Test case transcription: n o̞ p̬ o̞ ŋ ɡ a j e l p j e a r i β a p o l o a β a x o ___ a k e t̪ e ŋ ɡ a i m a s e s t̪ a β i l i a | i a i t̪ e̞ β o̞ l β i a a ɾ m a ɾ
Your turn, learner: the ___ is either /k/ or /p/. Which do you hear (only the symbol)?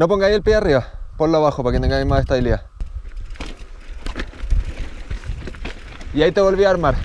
p